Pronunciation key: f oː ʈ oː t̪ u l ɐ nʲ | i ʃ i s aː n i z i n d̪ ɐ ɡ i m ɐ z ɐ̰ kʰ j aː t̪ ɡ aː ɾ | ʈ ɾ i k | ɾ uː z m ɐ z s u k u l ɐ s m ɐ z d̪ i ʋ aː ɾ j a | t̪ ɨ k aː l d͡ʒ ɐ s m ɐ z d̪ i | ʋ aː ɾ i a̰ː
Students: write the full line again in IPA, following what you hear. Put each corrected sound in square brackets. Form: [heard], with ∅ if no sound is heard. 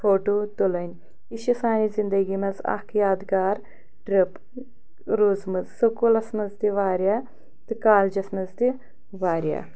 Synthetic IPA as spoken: f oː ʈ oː t̪ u l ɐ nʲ | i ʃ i s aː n i z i n d̪ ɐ ɡ i m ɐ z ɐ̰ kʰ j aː [d̪] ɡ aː ɾ | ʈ ɾ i [p] | ɾ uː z m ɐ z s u k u l ɐ s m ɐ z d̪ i ʋ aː ɾ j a | t̪ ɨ k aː l d͡ʒ ɐ s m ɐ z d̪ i | ʋ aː ɾ [j] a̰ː